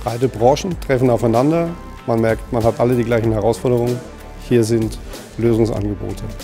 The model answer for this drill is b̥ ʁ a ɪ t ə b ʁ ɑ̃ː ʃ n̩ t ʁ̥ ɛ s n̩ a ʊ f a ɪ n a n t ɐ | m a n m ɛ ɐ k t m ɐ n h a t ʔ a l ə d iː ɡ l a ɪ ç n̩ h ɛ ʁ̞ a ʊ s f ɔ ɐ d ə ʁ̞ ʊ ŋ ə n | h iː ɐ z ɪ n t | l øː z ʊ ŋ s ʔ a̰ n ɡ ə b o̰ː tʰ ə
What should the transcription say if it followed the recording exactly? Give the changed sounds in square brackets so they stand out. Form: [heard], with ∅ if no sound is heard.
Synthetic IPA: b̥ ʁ a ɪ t ə b ʁ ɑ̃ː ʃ n̩ t ʁ̥ ɛ [f] n̩ a ʊ f a ɪ n a n [d] ɐ | m a n m ɛ ɐ k t m [a] n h a t ʔ a l ə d iː ɡ l a ɪ ç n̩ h ɛ ʁ̞ a ʊ s f ɔ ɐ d ə ʁ̞ ʊ ŋ ə n | h iː ɐ z ɪ n t | l øː z ʊ ŋ s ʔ a̰ n ɡ ə b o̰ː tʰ ə